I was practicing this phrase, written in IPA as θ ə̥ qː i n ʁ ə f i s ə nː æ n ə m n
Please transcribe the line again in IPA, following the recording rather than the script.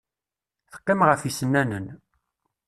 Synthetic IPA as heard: θ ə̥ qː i m ʁ ə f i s ə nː æ n ə n